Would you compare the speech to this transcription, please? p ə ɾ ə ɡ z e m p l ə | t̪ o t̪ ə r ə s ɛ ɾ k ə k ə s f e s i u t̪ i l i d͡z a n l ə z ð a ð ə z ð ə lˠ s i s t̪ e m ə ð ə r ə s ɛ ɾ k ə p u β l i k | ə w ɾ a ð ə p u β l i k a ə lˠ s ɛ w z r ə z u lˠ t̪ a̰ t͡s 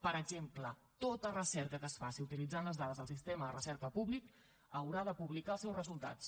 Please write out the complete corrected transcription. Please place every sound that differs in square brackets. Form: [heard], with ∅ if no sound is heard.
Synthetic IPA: p ə ɾ ə ɡ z e m p l ə | t̪ o t̪ ə r ə s ɛ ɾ k ə k ə s f [a] s i u t̪ i l i d͡z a n l ə z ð a ð ə z ð ə lˠ s i s t̪ e m ə ð ə r ə s ɛ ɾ k ə p u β l i k | ə w ɾ a ð ə p u β l i k a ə lˠ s ɛ w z r ə z u lˠ t̪ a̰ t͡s